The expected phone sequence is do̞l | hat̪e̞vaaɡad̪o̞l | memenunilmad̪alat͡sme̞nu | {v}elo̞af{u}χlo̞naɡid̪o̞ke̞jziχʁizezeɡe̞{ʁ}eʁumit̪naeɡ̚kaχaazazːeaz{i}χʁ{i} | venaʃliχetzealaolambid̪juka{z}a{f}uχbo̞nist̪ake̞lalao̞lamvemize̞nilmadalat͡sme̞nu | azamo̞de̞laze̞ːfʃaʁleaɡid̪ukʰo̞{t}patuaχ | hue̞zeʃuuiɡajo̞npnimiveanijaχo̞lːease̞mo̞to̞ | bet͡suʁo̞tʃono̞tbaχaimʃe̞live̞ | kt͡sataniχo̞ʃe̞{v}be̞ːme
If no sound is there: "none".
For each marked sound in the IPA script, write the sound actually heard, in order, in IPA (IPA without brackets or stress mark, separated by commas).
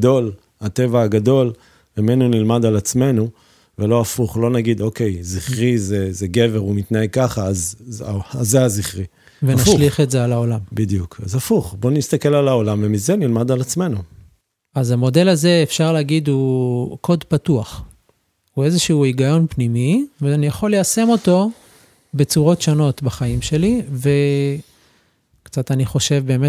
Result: v, u, v, i, i, z, f, d, v